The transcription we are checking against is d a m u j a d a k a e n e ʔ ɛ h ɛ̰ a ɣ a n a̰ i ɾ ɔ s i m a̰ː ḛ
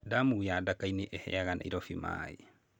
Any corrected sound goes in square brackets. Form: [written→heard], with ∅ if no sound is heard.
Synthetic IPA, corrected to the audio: d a m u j a d a k a [e→i] n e ʔ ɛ h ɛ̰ a ɣ a n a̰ i ɾ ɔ [s→f] i m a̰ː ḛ